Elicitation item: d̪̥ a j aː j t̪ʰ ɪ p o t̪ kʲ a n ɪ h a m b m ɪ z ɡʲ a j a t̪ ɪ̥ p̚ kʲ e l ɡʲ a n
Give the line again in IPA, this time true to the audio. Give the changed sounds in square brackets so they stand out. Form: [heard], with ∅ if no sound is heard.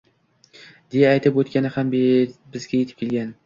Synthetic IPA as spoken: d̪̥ [e] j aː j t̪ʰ ɪ p o t̪ kʲ a n ɪ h a m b [b] ɪ z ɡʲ a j [e] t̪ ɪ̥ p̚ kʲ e l ɡʲ a n